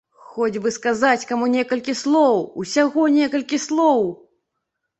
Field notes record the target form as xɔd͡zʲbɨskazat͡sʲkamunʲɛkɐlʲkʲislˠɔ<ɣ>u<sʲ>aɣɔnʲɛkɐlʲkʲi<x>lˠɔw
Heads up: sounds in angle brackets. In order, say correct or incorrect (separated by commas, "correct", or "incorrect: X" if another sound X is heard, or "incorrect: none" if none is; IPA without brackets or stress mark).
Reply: incorrect: w, correct, incorrect: s